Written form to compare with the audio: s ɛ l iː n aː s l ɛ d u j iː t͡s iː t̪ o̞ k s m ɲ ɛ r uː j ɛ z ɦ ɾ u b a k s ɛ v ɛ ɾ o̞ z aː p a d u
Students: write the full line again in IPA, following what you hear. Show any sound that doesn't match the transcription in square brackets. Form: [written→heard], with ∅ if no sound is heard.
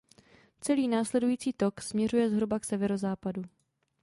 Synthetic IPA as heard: [s→t͡s] ɛ l iː n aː s l ɛ d u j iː t͡s iː t̪ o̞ k s m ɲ ɛ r [uː→u] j ɛ z ɦ ɾ u b a k s ɛ v ɛ ɾ o̞ z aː p a d u